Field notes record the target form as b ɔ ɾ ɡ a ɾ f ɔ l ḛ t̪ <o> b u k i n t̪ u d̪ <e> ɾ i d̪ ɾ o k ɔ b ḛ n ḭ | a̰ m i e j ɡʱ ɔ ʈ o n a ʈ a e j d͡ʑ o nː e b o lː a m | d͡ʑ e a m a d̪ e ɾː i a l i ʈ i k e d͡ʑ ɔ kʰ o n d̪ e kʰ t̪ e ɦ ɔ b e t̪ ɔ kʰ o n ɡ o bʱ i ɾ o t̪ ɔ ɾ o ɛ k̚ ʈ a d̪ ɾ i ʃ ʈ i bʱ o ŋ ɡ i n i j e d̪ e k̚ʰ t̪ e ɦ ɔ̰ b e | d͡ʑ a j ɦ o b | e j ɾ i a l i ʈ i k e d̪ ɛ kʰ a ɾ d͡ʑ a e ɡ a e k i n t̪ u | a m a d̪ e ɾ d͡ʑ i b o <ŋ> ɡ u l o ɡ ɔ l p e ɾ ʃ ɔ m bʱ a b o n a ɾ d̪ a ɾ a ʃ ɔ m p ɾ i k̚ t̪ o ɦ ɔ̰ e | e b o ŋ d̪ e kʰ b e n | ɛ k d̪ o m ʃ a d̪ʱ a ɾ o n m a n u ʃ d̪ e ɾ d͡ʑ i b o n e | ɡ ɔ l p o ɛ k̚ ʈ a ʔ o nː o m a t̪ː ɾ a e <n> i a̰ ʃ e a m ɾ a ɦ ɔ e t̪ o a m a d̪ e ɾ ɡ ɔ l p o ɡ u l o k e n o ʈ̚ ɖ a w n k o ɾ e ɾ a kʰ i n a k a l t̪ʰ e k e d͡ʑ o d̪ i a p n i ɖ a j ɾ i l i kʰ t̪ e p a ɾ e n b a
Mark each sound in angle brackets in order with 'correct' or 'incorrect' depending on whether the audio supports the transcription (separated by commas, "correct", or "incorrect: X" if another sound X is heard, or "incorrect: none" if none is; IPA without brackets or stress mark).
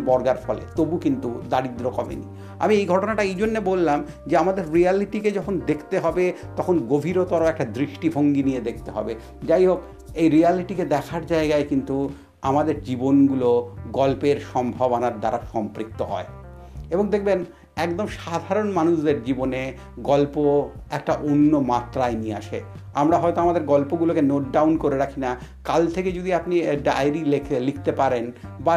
correct, incorrect: a, incorrect: n, correct